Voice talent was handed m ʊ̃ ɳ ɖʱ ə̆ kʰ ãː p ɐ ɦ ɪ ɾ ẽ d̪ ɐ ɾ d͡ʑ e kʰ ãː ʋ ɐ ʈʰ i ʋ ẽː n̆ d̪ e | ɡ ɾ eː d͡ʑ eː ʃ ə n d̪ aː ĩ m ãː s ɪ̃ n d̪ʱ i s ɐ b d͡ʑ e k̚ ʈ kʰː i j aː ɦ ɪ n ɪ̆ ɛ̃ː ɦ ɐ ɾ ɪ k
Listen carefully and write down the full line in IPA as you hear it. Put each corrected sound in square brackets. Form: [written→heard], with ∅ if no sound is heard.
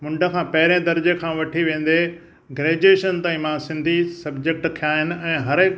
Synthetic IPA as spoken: m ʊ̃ ɳ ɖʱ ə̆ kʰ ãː p ɐ ɦ ɪ ɾ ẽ d̪ ɐ ɾ d͡ʑ e kʰ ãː ʋ ɐ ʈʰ i ʋ ẽː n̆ d̪ e | ɡ ɾ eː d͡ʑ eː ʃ ə n [d̪→t̪] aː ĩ m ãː s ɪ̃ n d̪ʱ i s ɐ b d͡ʑ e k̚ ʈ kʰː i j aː ɦ ɪ n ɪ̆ ɛ̃ː ɦ ɐ ɾ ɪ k